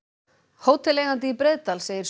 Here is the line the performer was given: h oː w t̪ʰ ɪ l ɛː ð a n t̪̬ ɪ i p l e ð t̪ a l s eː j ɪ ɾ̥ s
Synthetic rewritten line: h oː w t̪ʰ ɪ l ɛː ɣ a n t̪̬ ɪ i p ɾ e ð t̪ a l s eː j ɪ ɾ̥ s